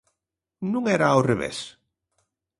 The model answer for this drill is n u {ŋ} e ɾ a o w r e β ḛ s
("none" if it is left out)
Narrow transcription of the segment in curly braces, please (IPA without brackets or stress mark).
ŋ